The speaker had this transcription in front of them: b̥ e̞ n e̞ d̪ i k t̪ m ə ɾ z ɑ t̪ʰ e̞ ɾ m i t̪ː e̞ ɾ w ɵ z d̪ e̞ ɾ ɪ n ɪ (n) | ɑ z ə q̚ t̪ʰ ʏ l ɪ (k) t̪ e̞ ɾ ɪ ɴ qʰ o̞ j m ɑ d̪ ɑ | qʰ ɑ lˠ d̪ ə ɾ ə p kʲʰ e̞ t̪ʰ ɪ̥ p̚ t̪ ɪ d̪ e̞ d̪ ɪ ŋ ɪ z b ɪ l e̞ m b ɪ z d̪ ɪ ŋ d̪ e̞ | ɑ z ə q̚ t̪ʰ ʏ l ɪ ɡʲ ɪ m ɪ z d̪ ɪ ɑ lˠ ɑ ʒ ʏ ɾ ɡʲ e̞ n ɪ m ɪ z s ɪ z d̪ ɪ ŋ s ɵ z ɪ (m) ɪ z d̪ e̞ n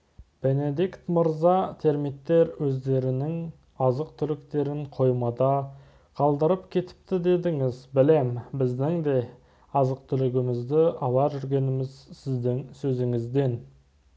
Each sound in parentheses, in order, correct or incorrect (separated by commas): incorrect, correct, incorrect